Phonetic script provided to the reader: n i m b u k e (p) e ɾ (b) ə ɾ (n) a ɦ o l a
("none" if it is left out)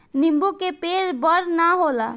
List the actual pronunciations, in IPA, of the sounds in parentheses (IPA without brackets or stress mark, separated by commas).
p, b, n